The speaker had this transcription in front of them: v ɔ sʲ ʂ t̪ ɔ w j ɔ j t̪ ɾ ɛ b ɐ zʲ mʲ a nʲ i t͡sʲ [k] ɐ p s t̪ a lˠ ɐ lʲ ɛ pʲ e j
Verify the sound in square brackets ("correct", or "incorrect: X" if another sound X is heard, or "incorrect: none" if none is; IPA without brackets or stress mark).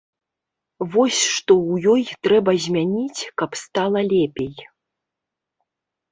correct